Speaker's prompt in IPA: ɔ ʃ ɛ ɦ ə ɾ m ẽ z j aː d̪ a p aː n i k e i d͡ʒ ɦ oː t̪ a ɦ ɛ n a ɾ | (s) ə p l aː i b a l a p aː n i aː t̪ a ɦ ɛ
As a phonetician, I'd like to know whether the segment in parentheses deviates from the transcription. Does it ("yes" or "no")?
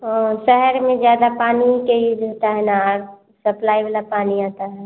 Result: no